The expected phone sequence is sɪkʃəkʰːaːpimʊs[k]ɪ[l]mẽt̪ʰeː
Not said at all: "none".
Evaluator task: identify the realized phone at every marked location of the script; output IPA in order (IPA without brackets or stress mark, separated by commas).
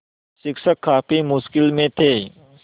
k, l